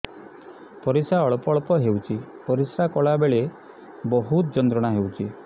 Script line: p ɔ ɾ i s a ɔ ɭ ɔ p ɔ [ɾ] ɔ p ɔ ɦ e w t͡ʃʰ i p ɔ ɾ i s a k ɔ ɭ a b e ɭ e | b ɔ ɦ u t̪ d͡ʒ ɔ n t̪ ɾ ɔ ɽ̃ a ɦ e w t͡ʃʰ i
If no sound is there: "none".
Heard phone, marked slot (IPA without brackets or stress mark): ɭ